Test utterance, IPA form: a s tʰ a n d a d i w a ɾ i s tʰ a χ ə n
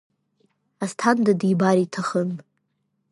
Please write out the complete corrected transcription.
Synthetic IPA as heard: a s tʰ a n d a d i b a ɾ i tʰ a χ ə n